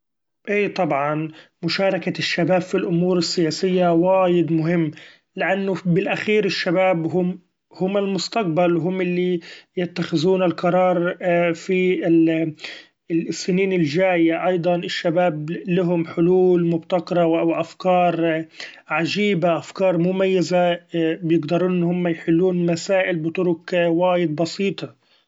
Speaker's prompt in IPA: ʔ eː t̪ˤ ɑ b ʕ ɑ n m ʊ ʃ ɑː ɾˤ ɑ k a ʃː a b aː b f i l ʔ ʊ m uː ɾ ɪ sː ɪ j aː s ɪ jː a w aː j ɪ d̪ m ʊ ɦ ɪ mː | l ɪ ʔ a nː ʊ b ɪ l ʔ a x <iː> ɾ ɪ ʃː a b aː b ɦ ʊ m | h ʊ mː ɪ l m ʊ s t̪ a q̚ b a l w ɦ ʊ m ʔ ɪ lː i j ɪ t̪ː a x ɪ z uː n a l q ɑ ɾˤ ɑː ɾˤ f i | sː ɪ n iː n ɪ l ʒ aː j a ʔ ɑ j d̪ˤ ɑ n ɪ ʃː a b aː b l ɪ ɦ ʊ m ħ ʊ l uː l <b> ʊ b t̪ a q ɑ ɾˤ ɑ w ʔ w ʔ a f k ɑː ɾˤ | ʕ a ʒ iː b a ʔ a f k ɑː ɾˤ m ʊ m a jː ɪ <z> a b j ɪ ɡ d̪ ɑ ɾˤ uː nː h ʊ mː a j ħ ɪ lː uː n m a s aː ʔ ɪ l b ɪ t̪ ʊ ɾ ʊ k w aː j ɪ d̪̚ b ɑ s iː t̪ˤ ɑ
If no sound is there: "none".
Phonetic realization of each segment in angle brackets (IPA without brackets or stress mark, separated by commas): iː, m, z